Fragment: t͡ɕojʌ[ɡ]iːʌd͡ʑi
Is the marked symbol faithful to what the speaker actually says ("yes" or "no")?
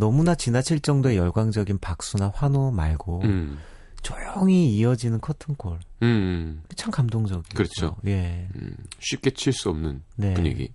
no